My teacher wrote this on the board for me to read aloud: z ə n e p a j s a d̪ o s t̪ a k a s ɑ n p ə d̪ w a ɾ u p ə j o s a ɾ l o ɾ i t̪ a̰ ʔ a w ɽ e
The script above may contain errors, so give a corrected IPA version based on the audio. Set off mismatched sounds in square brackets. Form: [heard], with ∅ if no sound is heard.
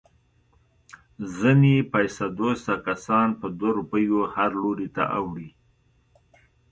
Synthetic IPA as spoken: z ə n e p a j s a d̪ o s t̪ a k a s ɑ n p ə d̪ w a ɾ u p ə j o [h] a ɾ l o ɾ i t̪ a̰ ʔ a w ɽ [i]